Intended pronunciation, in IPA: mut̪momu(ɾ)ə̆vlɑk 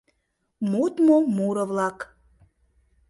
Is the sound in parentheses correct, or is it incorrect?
correct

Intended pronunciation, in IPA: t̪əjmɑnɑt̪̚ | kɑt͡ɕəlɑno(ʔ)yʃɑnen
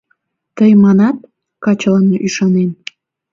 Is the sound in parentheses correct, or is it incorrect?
correct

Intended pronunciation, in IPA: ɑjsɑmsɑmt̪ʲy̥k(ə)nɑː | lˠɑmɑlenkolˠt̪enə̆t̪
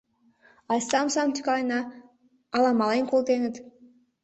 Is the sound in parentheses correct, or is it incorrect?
incorrect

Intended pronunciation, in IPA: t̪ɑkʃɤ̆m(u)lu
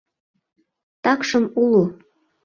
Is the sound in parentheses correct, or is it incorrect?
correct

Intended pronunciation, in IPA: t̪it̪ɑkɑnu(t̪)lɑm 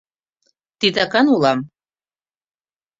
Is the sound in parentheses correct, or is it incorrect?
incorrect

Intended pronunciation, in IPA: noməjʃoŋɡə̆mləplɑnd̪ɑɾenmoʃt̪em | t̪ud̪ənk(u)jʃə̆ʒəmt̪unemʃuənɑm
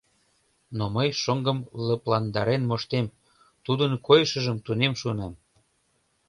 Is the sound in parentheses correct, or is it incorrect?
incorrect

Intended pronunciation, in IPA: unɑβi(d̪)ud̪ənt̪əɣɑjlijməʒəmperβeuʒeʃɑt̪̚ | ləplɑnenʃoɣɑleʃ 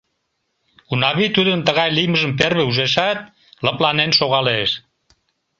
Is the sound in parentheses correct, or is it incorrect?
incorrect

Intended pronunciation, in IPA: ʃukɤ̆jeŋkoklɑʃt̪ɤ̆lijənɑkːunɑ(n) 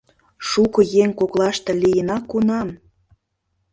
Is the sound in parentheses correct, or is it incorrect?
incorrect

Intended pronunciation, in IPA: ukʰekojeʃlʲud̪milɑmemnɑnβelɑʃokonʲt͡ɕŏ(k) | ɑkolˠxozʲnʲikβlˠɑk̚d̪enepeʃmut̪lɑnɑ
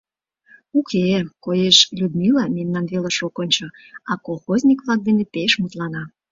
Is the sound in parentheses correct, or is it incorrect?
incorrect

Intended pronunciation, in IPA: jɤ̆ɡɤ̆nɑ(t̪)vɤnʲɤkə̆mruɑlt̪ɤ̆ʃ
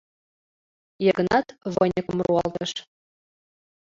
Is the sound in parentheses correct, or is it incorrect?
correct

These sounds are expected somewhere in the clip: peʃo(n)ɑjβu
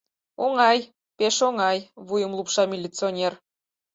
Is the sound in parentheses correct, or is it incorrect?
incorrect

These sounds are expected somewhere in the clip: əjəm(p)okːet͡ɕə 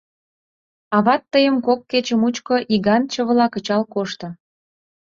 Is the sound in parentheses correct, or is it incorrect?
incorrect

